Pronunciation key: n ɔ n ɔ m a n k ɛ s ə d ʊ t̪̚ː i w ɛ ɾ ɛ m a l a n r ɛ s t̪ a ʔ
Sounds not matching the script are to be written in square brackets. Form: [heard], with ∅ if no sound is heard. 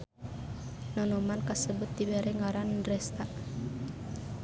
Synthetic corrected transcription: n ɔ n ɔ m a n k [a] s ə [b] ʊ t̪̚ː i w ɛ ɾ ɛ [ŋ] a [ɾ] a n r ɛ s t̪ a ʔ

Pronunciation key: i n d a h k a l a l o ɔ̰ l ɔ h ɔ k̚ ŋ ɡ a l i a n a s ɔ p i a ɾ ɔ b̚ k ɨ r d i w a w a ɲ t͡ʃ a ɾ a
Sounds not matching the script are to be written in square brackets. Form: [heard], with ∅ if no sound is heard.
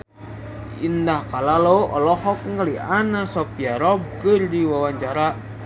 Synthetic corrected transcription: i n d a h k a l a l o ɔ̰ l ɔ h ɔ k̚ ŋ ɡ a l i a n a s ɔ p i a ɾ ɔ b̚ k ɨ r d i w a w a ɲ t͡ʃ a ɾ a

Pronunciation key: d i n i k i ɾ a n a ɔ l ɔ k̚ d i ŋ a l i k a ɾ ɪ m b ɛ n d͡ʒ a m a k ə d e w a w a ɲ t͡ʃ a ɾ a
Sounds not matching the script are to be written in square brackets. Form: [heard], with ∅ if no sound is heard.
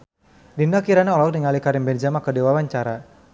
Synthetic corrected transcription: d i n [a] k i ɾ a n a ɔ l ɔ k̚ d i ŋ a l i k a ɾ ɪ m b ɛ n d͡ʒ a m a k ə d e w a w a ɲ t͡ʃ a ɾ a

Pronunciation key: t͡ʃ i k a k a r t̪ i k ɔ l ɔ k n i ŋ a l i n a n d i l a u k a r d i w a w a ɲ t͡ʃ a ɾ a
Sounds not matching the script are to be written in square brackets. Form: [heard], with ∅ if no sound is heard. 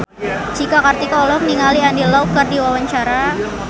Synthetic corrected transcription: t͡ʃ i k a k a r t̪ i k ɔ l ɔ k n i ŋ a l i [∅] a n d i l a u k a r d i w a w a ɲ t͡ʃ a ɾ a

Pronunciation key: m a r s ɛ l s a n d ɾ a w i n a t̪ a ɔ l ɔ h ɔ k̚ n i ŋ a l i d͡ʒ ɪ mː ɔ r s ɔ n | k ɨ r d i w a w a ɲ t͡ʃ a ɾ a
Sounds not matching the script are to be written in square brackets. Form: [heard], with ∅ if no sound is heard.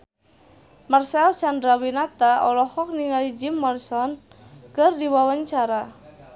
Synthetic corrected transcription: m a r s ɛ l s a n d ɾ a w i n a t̪ a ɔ l ɔ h ɔ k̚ n i ŋ a l i d͡ʒ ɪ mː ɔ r s ɔ n | k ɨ r d i w a w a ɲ t͡ʃ a ɾ a

